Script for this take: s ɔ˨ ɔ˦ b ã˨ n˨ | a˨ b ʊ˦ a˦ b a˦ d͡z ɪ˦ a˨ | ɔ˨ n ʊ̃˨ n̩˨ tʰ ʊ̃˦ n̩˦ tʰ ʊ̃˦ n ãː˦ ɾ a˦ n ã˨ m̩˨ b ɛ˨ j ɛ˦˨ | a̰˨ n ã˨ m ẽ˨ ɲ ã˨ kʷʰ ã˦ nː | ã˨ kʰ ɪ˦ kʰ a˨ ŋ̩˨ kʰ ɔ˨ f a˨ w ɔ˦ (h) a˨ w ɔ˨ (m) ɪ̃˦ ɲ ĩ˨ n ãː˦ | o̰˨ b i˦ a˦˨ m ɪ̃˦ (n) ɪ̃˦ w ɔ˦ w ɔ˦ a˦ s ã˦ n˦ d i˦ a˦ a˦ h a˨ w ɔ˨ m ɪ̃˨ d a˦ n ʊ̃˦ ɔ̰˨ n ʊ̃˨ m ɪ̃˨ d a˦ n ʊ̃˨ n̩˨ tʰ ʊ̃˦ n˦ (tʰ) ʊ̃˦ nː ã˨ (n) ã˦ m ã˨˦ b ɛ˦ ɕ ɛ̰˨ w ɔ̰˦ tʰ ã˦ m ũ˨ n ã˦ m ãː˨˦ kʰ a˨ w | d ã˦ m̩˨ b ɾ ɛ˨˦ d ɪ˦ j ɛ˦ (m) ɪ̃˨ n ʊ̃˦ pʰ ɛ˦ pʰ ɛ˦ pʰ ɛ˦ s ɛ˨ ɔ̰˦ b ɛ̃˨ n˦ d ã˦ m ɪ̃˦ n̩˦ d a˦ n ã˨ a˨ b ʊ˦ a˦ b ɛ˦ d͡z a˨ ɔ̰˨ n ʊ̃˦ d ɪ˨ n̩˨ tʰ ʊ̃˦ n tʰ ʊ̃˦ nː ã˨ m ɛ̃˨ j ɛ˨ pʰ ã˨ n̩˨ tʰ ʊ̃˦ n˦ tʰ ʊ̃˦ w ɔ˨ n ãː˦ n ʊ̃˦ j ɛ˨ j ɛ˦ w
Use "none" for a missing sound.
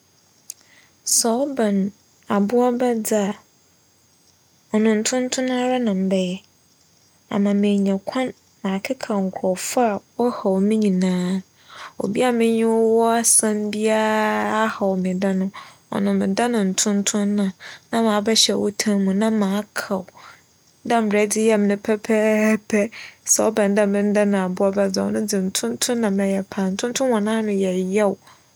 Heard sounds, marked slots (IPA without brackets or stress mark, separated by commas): h, m, ɲ, tʰ, n, m